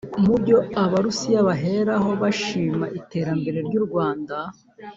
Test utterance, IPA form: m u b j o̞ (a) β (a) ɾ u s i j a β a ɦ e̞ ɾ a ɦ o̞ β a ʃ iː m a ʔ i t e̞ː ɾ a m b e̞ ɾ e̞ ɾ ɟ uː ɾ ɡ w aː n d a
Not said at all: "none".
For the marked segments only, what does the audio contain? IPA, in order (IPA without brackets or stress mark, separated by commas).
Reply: a, a